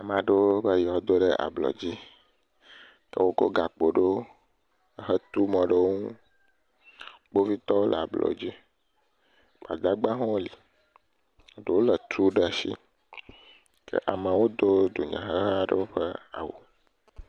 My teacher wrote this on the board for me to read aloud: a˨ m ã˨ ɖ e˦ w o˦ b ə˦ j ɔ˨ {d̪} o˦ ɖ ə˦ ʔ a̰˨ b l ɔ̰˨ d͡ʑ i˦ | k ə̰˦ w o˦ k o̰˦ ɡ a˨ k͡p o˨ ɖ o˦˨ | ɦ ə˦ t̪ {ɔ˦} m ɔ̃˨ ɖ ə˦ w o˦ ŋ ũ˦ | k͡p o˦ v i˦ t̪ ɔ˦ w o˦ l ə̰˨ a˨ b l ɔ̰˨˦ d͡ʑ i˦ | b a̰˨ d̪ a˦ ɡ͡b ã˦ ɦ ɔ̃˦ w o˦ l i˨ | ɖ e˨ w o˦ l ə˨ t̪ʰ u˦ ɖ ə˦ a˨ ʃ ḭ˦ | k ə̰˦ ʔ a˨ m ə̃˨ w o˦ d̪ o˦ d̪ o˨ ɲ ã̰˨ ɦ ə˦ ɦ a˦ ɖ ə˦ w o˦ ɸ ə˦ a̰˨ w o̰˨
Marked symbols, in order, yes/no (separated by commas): yes, no